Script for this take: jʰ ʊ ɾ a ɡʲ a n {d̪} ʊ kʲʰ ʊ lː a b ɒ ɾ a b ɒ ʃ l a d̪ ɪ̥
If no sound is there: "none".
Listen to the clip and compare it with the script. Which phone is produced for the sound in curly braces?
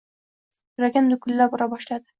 d̪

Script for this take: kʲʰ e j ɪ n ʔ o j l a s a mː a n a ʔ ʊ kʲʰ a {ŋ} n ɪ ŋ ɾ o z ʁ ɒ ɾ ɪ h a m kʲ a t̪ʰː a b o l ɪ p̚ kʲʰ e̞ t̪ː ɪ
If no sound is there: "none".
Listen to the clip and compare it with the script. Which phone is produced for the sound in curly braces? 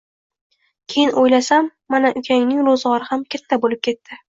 ŋ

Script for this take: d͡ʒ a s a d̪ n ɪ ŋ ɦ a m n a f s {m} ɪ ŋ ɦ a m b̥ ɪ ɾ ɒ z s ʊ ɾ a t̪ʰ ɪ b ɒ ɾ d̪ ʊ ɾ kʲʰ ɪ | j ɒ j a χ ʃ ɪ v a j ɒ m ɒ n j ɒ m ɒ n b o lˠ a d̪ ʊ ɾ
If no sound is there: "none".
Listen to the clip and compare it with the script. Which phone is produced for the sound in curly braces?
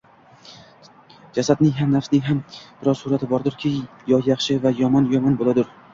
n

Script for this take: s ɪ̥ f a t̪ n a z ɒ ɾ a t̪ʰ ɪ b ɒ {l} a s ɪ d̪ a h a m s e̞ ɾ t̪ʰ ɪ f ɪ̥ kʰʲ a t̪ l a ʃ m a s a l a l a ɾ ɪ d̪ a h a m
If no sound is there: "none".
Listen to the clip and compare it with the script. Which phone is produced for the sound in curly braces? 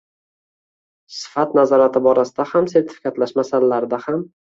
ɾ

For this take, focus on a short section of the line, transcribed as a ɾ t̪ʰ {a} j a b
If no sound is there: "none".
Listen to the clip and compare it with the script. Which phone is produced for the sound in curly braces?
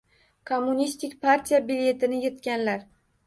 i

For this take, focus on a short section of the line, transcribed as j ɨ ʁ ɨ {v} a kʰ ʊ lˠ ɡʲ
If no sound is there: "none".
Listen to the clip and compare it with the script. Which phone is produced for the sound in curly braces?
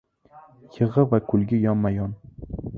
v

